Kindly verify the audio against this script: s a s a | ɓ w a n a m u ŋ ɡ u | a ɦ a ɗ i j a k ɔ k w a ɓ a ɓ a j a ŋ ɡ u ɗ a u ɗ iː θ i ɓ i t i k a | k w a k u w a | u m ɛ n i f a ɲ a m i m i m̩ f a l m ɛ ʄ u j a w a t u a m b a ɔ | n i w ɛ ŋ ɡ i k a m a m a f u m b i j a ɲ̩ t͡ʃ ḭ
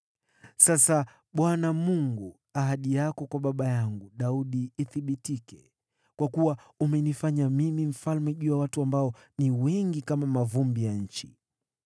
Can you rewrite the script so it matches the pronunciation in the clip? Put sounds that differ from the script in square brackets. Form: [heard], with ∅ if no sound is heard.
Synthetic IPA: s a s a | ɓ w a n a m u ŋ ɡ u | a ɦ a ɗ i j a k ɔ k w a ɓ a ɓ a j a ŋ ɡ u ɗ a u ɗ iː θ i ɓ i t i k [ɛ] | k w a k u w a | u m ɛ n i f a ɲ a m i m i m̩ f a l m ɛ ʄ u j a w a t u a m b a ɔ | n i w ɛ ŋ ɡ i k a m a m a [v] u m b i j a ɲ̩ t͡ʃ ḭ